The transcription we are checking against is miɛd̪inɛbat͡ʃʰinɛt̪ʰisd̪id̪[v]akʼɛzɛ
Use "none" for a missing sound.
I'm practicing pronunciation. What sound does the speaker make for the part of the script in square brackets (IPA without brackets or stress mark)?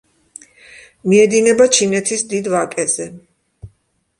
v